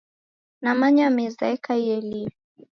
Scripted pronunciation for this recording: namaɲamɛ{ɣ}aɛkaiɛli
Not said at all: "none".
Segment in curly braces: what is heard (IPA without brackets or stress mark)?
z